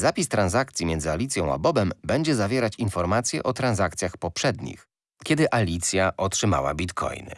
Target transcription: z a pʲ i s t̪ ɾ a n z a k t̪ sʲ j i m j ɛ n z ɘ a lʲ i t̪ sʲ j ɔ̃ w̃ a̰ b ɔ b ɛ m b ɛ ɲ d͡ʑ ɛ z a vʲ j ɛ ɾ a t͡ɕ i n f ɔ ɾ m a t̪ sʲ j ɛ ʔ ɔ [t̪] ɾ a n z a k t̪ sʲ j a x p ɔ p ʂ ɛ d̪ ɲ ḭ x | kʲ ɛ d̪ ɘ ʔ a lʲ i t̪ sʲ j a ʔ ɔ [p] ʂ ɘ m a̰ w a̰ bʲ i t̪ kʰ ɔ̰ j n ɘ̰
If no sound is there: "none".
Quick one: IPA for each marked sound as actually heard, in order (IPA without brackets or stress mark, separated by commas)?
t̪, t